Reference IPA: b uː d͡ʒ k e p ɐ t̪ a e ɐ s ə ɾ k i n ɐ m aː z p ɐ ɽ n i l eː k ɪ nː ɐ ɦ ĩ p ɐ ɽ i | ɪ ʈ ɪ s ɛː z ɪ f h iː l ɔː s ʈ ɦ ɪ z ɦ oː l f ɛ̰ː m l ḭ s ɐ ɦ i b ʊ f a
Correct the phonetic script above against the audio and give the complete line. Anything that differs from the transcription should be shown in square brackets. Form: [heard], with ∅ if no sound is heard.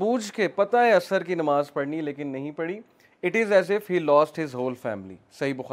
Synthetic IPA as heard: b uː d͡ʒ k e p ɐ t̪ a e ɐ s ə ɾ k i n ɐ m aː z p ɐ ɽ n i l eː k ɪ nː ɐ ɦ ĩ p ɐ ɽ i | ɪ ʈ ɪ [z] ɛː z ɪ f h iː l ɔː s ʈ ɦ ɪ z ɦ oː l f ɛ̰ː m l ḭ s ɐ ɦ i b ʊ [x] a